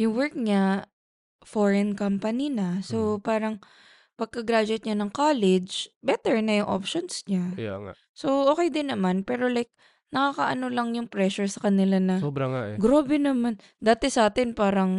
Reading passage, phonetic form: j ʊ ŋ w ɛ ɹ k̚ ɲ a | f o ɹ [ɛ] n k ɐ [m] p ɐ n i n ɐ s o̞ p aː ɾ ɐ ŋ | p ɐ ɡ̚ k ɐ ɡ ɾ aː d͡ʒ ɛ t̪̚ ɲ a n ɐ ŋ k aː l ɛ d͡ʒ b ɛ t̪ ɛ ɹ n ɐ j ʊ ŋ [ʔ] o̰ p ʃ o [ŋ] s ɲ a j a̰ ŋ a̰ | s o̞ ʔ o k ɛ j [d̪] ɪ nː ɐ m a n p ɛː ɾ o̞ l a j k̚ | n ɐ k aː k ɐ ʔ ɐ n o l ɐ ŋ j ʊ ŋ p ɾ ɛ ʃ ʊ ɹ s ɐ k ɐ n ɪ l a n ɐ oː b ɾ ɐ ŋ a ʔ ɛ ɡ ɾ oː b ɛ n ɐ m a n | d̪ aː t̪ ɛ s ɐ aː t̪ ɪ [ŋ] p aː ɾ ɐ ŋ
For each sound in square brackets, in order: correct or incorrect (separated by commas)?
correct, correct, correct, incorrect, correct, incorrect